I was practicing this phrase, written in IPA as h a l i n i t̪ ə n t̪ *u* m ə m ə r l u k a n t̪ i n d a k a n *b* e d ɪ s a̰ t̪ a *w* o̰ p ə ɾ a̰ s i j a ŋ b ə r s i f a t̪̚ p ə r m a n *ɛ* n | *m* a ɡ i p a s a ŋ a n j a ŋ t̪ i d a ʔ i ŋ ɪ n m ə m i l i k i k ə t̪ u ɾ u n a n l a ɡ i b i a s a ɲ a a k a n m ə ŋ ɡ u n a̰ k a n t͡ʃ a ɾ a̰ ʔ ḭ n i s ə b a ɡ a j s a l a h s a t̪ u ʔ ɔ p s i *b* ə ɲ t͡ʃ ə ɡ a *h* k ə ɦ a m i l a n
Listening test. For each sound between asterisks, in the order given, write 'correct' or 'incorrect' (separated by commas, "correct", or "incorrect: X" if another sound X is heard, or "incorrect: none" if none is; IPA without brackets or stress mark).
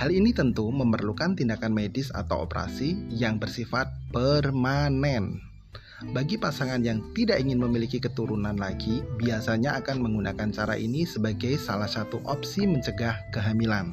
correct, incorrect: m, correct, correct, incorrect: b, incorrect: m, correct